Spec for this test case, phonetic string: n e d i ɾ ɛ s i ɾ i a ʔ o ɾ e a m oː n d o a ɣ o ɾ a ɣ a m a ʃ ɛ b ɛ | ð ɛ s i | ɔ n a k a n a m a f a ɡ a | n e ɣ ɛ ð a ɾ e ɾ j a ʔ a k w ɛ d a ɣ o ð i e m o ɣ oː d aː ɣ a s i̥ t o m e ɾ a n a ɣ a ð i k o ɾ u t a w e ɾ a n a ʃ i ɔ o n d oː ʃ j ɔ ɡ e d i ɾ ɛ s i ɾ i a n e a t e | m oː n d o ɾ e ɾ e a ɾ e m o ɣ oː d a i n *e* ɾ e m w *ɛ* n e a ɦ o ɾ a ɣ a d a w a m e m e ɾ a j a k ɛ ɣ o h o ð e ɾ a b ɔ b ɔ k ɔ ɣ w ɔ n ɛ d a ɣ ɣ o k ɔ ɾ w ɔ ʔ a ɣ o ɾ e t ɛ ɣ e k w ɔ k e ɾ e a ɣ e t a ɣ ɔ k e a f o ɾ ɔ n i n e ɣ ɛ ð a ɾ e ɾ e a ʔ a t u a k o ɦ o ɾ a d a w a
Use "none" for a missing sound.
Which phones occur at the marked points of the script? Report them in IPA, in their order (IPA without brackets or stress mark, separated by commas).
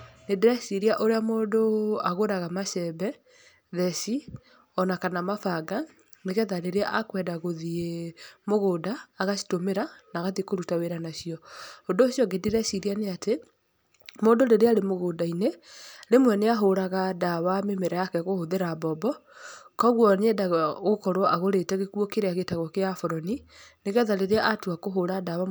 e, ɛ